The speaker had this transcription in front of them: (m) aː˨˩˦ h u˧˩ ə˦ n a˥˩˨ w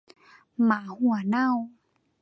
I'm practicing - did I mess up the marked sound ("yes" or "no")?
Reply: no